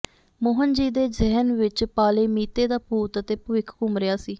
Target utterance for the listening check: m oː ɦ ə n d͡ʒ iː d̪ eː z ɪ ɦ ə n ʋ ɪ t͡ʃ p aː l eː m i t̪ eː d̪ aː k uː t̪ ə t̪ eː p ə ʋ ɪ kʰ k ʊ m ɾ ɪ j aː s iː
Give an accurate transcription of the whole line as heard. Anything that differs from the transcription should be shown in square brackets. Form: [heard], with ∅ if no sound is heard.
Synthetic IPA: m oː ɦ ə n d͡ʒ iː d̪ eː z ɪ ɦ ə n ʋ ɪ t͡ʃ p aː l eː m [iː] t̪ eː d̪ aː [p] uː t̪ ə t̪ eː p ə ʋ ɪ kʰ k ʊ m ɾ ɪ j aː s iː